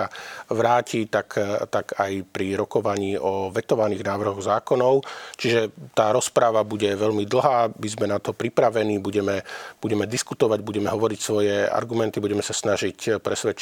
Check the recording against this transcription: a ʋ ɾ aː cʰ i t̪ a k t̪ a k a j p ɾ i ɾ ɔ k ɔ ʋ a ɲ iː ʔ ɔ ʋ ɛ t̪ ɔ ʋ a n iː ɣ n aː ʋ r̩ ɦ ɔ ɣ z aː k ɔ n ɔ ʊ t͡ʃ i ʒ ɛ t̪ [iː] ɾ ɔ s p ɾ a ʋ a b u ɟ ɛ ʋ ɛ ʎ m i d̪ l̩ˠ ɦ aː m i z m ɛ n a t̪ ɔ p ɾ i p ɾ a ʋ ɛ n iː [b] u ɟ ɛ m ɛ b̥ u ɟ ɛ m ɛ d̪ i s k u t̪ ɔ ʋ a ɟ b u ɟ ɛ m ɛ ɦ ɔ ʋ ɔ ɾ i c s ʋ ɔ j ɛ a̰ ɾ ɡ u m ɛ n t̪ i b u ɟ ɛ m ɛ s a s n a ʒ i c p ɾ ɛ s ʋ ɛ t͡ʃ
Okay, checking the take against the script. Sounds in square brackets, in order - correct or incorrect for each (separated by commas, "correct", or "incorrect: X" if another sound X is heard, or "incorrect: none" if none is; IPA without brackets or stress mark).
incorrect: aː, correct